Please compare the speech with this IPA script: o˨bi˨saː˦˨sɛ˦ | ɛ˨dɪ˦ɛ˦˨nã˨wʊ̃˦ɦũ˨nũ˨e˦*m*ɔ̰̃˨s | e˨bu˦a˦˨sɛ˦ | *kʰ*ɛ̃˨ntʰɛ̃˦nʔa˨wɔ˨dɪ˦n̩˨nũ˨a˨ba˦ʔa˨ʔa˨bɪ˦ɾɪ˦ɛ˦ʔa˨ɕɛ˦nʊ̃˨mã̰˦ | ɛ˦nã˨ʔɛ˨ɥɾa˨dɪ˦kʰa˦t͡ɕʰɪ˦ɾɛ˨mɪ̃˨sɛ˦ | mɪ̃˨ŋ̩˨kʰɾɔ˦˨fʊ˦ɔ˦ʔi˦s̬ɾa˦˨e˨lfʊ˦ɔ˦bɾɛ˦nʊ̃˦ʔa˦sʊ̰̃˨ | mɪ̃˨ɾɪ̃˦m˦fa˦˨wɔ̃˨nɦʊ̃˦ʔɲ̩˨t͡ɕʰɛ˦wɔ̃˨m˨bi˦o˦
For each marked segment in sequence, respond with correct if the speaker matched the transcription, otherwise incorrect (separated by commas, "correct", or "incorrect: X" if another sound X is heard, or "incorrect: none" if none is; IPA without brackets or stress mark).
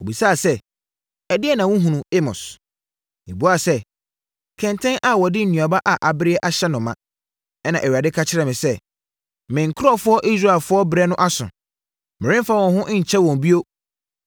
correct, correct